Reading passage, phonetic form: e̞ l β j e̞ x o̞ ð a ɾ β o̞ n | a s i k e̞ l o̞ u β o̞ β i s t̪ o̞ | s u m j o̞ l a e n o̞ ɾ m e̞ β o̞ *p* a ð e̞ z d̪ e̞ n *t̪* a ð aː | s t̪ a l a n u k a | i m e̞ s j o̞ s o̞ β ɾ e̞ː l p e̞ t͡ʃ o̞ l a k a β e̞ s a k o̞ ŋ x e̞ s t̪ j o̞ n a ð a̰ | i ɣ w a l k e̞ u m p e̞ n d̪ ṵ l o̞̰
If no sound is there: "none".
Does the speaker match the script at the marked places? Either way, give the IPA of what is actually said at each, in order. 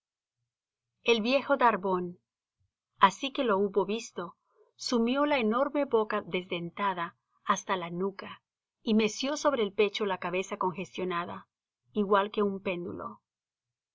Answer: k, t̪

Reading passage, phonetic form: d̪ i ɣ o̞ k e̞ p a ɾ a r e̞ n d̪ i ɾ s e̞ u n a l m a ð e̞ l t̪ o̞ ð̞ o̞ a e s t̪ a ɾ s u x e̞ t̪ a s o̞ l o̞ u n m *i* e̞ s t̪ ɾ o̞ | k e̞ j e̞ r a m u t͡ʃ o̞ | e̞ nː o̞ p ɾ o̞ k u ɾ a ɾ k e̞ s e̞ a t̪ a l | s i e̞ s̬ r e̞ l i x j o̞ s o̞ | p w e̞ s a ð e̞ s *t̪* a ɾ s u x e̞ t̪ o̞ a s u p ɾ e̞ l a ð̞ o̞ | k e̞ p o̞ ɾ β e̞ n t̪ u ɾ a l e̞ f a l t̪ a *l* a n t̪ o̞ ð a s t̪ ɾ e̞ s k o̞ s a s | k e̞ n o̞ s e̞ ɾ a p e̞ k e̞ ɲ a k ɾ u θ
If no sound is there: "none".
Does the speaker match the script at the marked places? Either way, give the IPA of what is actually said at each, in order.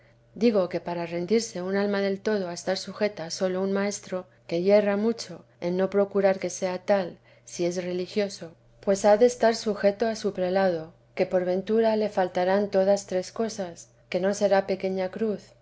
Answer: a, t̪, ɾ

